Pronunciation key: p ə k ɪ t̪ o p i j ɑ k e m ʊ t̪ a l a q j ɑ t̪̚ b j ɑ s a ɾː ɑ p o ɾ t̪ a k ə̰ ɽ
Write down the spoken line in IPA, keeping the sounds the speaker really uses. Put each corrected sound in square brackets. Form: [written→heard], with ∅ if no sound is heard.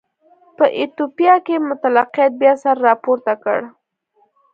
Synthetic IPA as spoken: p ə [k→ʔ] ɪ t̪ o p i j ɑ k e m ʊ t̪ a l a q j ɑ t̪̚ b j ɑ s a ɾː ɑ p o ɾ t̪ a k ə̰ ɽ

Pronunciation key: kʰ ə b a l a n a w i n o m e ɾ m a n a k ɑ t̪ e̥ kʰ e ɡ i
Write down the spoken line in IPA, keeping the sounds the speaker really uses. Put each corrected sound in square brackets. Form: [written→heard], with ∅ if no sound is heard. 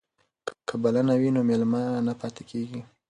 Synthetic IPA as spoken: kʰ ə b a l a n a w i n o m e [ɾ→l] m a n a [k→p] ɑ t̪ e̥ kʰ e ɡ i

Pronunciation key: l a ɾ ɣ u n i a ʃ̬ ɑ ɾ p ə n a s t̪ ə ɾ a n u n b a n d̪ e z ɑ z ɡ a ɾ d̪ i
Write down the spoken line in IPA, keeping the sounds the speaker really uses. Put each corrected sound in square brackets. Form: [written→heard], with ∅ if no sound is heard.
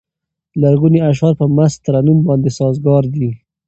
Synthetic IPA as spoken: l a ɾ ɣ u n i a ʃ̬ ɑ ɾ p ə [n→m] a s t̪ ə ɾ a n u [n→m] b [a→ɑ] n d̪ e [z→s] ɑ z ɡ [a→ɑ] ɾ d̪ i

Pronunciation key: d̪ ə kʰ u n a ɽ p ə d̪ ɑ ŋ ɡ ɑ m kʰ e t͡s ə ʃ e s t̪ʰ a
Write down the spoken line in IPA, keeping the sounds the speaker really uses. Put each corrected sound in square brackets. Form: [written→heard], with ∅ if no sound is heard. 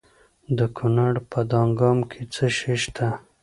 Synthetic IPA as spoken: d̪ ə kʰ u n a ɽ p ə d̪ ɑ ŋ ɡ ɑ m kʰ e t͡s ə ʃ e [s→ʃ] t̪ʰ a

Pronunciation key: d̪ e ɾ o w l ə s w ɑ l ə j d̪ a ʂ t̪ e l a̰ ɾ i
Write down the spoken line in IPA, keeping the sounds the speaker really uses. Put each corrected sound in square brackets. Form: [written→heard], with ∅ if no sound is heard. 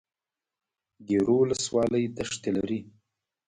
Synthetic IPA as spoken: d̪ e ɾ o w l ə s w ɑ l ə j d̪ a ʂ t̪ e l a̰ ɾ i

